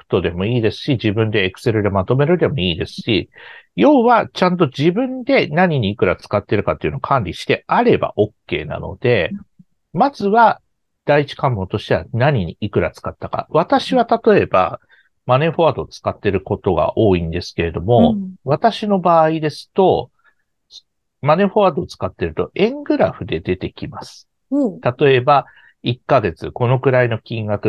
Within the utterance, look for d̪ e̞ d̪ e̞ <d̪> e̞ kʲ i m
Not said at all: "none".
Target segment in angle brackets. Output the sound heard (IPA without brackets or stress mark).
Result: t̪